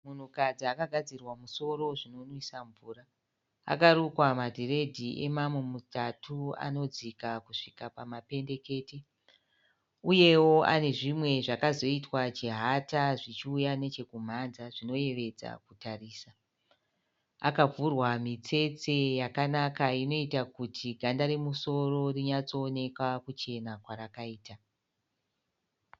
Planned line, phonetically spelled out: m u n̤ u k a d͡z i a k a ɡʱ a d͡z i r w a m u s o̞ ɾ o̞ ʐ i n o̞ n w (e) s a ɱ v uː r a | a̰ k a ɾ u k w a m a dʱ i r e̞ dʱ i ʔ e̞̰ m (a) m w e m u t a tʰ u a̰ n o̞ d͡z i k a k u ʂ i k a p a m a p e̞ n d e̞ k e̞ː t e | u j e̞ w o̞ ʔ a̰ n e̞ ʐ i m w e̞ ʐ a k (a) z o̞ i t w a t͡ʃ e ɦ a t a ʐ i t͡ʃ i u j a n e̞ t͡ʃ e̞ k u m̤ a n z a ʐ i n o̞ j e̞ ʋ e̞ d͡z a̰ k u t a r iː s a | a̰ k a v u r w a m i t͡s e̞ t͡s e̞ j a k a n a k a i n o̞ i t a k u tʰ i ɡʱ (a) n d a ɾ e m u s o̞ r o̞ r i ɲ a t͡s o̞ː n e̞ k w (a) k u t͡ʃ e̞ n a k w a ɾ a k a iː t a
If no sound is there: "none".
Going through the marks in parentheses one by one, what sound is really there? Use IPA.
i, a, a, a, a

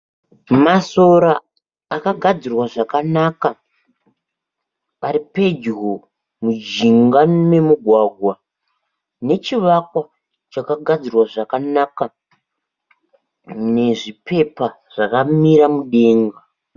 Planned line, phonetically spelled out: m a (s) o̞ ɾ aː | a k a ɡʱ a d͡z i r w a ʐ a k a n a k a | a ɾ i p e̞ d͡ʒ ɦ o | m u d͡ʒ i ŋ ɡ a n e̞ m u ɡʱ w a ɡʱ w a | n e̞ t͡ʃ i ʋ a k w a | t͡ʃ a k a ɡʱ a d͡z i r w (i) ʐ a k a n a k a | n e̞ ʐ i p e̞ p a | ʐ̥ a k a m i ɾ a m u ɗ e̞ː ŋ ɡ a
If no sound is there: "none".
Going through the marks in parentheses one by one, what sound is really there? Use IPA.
s, a

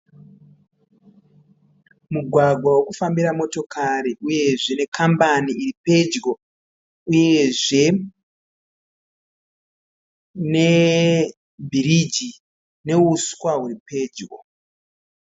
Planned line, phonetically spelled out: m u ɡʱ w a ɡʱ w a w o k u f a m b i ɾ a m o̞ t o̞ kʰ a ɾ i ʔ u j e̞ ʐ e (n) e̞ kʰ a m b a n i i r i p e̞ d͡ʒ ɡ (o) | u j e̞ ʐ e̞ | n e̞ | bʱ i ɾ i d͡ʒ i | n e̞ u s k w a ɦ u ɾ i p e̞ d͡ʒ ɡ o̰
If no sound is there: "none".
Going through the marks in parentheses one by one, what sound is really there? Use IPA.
n, o

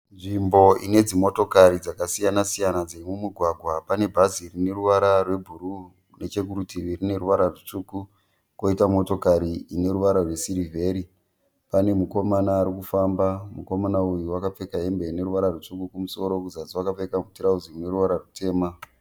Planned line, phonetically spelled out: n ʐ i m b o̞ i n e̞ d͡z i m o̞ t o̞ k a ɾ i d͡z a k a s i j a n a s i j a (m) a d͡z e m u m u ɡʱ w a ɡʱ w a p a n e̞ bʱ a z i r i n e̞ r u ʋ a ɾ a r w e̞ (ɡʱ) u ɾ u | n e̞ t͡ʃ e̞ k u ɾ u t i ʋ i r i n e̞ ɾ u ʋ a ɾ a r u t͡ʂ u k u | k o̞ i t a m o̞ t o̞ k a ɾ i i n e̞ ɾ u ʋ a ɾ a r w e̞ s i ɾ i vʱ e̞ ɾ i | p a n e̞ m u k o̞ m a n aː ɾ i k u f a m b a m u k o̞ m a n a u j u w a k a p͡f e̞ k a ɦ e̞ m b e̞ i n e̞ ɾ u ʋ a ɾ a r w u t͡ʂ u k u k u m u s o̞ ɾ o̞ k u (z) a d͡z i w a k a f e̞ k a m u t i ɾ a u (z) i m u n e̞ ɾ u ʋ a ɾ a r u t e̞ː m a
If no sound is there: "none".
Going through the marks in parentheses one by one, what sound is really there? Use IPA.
n, bʱ, z, z

